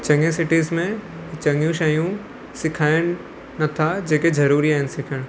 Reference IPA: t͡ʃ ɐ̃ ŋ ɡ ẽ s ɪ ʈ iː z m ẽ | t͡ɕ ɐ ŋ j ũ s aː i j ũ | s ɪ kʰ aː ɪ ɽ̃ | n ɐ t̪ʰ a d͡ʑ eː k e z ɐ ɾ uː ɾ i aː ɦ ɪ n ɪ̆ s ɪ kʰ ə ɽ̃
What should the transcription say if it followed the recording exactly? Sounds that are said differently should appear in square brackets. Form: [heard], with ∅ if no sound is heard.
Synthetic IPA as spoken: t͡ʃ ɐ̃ ŋ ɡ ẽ s ɪ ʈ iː z m ẽ | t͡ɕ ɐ ŋ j ũ [ʃ] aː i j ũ | s ɪ kʰ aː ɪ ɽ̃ | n ɐ t̪ʰ a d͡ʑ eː k e z ɐ ɾ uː ɾ i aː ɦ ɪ n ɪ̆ s ɪ kʰ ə ɽ̃